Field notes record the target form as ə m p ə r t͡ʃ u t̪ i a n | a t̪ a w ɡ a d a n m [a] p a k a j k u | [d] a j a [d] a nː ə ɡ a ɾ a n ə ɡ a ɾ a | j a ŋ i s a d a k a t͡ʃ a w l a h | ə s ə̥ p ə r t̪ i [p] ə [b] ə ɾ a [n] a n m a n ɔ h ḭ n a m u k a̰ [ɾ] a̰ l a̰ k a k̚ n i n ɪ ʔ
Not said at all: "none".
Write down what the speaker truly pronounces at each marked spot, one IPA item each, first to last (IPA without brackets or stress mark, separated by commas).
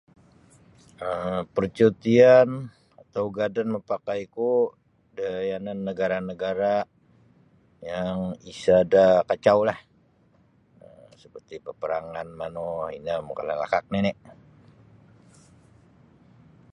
ə, d, n, p, p, ŋ, l